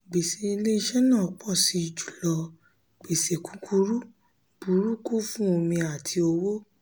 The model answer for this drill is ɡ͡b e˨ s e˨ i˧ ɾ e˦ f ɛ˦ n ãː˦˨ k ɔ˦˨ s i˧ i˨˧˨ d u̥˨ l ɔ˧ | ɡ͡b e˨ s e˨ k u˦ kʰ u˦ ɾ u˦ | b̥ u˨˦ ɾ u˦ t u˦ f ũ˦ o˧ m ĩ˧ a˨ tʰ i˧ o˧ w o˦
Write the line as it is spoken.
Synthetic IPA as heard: ɡ͡b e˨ s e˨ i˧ l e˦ ʃ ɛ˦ n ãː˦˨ k͡p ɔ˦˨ s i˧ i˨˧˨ d͡ʒ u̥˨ l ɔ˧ | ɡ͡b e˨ s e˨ k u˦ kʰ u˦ ɾ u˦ | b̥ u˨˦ ɾ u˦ k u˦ f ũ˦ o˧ m ĩ˧ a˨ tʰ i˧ o˧ w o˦